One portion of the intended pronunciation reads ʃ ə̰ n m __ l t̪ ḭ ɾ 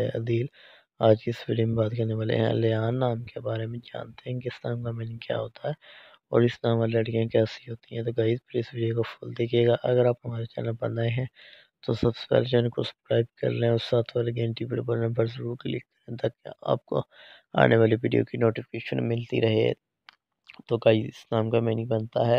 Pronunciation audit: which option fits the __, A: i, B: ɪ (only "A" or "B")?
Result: B